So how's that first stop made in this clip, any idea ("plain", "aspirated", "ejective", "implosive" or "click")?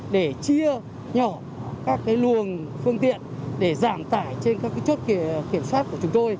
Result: implosive